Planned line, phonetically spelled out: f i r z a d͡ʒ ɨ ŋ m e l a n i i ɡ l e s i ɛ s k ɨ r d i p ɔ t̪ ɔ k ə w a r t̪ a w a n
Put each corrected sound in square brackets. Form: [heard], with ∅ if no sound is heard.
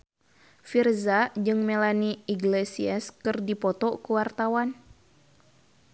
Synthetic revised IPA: f i r z a d͡ʒ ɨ ŋ m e l a n i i ɡ l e s i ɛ s k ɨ r d i p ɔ t̪ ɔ k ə w a r t̪ a w a n